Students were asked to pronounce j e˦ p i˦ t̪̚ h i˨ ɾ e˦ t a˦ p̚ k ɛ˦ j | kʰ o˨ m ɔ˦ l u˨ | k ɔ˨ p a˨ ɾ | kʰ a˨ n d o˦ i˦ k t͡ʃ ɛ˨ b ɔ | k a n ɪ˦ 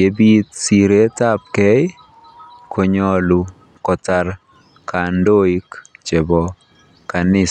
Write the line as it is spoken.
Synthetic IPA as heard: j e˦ b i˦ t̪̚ s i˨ ɾ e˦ t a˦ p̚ k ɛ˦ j | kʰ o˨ ɲ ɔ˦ l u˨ | k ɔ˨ t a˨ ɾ | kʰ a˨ n d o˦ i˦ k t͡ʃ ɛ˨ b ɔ | k a n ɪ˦

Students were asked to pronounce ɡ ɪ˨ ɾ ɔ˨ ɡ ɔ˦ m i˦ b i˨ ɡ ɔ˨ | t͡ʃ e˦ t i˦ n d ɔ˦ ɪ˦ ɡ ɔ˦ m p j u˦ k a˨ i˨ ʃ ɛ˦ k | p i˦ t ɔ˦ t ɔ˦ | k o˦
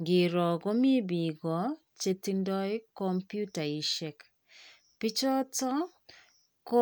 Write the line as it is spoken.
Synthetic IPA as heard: ɡ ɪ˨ ɾ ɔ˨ ɡ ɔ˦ m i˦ b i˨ ɡ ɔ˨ | t͡ʃ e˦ t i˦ n d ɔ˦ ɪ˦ k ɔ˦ m p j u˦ t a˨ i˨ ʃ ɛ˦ k | p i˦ t͡ʃ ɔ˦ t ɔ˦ | k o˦

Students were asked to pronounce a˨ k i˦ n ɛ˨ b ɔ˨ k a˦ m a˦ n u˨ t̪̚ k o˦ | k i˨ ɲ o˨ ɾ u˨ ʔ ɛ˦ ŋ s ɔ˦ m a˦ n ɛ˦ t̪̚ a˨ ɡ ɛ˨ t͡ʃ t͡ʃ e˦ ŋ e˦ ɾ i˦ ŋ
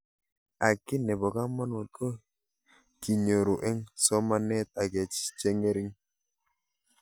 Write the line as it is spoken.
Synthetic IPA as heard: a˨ k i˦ n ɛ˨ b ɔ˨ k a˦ m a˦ n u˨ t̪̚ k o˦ | k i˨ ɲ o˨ ɾ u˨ ʔ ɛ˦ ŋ s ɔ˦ m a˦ n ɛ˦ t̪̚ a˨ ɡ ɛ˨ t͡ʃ t͡ʃ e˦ ŋ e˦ ɾ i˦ ŋ

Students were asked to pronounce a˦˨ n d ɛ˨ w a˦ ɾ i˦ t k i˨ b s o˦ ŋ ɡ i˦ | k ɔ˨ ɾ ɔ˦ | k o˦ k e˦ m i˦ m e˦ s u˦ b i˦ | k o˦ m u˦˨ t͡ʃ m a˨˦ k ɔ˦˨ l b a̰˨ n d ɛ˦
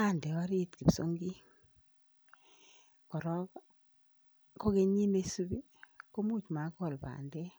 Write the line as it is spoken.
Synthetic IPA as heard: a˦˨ n d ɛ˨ w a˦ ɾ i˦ t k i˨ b s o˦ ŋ ɡ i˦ | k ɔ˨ ɾ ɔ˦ | k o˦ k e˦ ɲ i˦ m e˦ s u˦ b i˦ | k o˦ m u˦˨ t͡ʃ m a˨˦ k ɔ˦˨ l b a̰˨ n d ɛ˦

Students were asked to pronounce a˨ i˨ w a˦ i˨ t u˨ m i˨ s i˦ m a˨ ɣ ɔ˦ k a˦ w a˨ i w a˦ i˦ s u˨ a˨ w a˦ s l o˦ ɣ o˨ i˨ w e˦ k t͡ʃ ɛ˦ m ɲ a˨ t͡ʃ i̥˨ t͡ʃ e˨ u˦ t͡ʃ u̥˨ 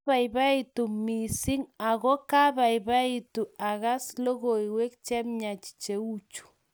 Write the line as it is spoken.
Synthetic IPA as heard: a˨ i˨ β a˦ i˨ t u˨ m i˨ s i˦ ŋ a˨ ɣ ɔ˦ k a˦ β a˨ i β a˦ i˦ t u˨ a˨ ɣ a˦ s l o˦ ɣ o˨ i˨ w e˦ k t͡ʃ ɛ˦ m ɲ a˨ t͡ʃ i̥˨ t͡ʃ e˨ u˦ t͡ʃ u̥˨

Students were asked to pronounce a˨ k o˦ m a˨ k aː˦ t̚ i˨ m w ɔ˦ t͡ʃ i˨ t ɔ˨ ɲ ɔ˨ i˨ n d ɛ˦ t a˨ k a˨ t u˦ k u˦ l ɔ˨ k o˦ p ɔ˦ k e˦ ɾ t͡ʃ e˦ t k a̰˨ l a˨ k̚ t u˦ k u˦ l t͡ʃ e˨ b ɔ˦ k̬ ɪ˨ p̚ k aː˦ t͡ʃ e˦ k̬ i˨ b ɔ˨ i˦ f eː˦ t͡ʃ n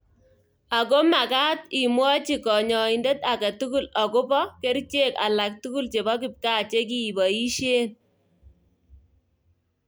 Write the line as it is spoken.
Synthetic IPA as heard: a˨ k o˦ m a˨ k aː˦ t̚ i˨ m w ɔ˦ t͡ʃ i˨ k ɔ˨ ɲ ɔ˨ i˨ n d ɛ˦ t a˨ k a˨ t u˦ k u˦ l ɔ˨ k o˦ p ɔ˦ k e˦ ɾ t͡ʃ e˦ k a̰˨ l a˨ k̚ t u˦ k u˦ l t͡ʃ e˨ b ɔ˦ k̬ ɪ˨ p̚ k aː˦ t͡ʃ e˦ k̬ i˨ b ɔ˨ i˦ ʃ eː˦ n

